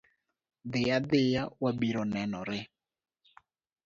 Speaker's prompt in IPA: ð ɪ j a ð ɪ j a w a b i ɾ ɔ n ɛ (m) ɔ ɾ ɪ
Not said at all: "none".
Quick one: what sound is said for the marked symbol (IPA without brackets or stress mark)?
n